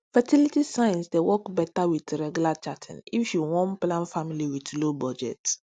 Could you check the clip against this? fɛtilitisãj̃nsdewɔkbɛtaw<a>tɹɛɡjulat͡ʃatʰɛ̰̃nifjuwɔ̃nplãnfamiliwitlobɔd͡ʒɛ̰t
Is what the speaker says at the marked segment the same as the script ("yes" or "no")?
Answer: no